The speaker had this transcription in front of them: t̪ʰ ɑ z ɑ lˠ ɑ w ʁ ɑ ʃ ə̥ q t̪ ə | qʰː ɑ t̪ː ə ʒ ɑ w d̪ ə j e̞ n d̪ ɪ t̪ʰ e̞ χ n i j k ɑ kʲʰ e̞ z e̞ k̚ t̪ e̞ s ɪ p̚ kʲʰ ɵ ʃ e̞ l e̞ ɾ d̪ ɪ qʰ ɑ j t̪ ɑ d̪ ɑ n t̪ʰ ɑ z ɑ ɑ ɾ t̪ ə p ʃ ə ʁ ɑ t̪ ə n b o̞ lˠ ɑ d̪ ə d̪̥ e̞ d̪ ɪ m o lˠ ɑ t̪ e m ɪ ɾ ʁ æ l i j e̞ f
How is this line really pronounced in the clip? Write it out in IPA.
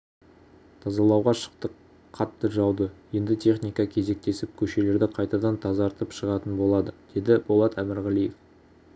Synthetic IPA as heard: t̪ʰ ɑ z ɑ lˠ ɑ w ʁ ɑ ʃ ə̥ q t̪ ə | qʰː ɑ t̪ː ə ʒ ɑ w d̪ ə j e̞ n d̪ ɪ t̪ʰ e̞ χ n i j k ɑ kʲʰ e̞ z e̞ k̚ t̪ e̞ s ɪ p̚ kʲʰ ɵ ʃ e̞ l e̞ ɾ d̪ ɪ qʰ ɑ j t̪ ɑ d̪ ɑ n t̪ʰ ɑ z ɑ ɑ ɾ t̪ ə p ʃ ə ʁ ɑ t̪ ə n b o̞ lˠ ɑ d̪ ə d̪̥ e̞ d̪ ɪ b o lˠ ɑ t̪ æ m ɪ ɾ ʁ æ l i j e̞ f